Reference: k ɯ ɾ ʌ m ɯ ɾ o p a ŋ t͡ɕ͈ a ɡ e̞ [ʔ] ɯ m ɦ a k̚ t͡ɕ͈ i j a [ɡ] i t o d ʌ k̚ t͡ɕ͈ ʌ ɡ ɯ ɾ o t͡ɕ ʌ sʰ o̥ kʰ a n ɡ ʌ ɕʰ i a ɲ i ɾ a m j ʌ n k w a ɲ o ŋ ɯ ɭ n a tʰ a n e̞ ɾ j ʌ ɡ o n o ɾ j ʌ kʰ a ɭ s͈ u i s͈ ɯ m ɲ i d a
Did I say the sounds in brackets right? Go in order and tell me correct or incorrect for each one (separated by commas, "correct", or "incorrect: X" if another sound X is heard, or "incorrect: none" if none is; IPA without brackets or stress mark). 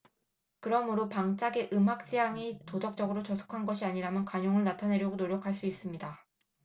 correct, incorrect: ŋ